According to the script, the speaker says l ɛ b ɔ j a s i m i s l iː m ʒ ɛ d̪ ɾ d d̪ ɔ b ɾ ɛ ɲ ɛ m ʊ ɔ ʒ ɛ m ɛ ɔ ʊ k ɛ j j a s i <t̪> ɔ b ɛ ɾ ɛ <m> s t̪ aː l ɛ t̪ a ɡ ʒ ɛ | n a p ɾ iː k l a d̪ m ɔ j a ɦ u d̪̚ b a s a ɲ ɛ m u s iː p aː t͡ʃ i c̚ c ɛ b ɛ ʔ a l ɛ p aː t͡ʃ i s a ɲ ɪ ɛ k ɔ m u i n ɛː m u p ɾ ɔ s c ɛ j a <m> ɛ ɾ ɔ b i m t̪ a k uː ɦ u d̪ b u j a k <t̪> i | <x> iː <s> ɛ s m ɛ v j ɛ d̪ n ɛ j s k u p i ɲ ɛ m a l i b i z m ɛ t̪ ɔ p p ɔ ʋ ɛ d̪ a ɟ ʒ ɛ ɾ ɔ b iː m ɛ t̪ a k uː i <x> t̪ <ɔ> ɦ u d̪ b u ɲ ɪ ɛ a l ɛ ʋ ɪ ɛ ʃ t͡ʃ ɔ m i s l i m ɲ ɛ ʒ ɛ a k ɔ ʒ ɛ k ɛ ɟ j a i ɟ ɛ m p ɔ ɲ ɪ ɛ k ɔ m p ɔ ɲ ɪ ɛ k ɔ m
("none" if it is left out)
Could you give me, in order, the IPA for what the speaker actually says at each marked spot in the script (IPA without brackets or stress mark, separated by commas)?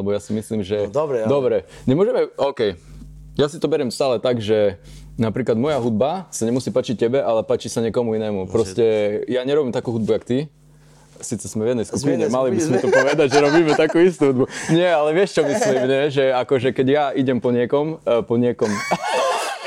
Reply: t̪, m, ɲ, t̪, s, t͡s, s, u